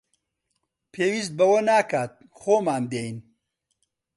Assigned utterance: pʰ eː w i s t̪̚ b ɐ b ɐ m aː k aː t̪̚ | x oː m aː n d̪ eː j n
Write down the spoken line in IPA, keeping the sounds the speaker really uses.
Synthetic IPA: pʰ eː w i s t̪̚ b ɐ w ɐ n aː k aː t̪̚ | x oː m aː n d̪ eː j n